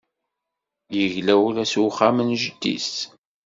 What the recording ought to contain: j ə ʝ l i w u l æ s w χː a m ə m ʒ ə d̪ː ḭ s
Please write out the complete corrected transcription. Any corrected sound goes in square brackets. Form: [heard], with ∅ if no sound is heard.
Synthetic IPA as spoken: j ə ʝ l [æ] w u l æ s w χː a m ə [n] ʒ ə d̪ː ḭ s